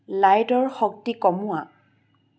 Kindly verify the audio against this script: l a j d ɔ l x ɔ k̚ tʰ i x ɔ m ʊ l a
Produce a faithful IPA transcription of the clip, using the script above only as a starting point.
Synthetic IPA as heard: l a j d ɔ ɹ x ɔ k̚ t i k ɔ m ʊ a

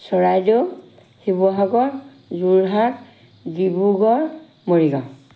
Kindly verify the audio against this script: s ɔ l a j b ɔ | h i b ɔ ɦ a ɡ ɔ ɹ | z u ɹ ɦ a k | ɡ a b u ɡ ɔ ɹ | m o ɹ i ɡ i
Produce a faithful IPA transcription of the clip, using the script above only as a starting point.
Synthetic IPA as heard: s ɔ ɹ a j d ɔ | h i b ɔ ɦ a ɡ ɔ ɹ | z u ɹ ɦ a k | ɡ i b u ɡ ɔ ɹ | m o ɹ i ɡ a

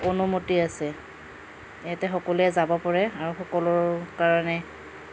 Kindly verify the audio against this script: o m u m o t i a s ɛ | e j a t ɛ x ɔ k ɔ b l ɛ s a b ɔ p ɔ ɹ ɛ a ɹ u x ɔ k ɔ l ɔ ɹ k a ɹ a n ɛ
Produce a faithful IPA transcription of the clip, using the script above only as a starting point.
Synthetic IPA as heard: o n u m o t i a s ɛ | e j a t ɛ x ɔ k ɔ l ɛ z a b ɔ p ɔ ɹ ɛ a ɹ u x ɔ k ɔ l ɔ ɹ k a ɹ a n ɛ

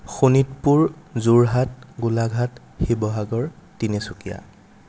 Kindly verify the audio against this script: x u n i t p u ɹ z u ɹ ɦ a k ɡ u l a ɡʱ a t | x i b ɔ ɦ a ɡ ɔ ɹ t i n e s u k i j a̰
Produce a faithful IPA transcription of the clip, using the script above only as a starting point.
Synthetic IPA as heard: x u n i t p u ɹ z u ɹ ɦ a t ɡ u l a ɡʱ a t | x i b ɔ ɦ a ɡ ɔ ɹ t i n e s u k i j a̰

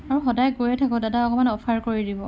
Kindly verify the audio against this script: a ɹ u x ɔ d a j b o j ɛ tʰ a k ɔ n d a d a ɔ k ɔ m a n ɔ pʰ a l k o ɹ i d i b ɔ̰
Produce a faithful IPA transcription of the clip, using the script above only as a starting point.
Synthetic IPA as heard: a ɹ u x ɔ d a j ɡ o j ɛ tʰ a k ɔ d a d a ɔ k ɔ m a n ɔ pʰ a ɹ k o ɹ i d i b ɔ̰

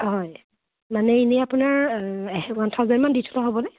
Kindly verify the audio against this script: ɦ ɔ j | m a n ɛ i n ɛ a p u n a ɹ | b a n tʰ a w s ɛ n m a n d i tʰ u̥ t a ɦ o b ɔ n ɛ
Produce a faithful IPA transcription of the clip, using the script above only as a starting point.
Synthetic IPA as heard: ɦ ɔ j | m a n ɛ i n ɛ a p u n a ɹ | w a n tʰ a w z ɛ n m a n d i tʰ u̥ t a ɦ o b ɔ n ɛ

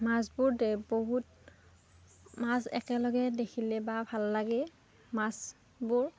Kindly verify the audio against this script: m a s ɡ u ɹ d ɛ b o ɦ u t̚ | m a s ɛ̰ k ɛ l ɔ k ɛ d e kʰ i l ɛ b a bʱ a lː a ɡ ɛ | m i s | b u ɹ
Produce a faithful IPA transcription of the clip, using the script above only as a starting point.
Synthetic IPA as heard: m a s b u ɹ d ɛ b o ɦ u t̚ | m a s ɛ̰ k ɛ l ɔ ɡ ɛ d e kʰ i l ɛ b a bʱ a lː a ɡ ɛ | m a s | b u ɹ

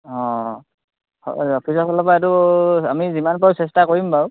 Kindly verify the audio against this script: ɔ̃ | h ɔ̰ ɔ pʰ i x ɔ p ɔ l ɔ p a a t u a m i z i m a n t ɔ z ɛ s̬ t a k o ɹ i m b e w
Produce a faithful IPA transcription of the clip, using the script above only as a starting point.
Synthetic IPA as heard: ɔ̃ | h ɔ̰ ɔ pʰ i s ɔ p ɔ l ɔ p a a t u a m i z i m a n p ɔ s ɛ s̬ t a k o ɹ i m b a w

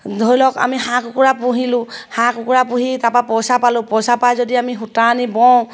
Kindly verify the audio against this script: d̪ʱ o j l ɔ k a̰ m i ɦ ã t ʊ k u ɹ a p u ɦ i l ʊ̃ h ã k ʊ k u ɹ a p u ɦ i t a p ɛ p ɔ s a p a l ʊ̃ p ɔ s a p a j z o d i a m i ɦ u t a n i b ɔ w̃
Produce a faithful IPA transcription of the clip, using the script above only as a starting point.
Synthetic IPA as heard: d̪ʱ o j l ɔ k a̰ m i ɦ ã k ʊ k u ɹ a p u ɦ i l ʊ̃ h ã k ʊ k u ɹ a p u ɦ i t a p a p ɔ s a p a l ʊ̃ p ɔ s a p a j z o d i a m i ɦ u t a n i b ɔ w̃

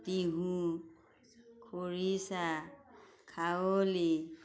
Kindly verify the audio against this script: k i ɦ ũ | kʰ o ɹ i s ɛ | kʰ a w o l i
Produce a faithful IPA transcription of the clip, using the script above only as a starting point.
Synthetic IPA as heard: t i ɦ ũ | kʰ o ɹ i s a | kʰ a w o l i

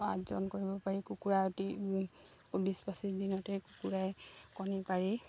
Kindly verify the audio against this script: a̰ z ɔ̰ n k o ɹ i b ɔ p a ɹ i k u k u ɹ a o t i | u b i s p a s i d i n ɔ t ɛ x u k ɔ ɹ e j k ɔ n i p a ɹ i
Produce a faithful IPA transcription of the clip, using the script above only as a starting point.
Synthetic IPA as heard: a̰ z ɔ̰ n k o ɹ i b ɔ p a ɹ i k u k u ɹ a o t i | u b i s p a s i d i n ɔ t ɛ k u k u ɹ a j k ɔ n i p a ɹ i

